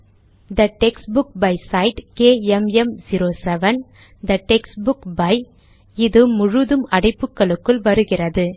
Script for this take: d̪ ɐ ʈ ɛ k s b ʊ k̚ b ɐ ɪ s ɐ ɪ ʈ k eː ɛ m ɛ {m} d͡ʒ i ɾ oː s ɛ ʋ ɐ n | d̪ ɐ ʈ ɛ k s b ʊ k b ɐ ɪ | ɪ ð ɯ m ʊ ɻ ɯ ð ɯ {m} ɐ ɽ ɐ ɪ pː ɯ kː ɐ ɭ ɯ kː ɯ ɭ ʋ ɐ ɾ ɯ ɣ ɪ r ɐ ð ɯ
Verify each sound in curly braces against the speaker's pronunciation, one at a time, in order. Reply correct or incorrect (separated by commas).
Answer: correct, correct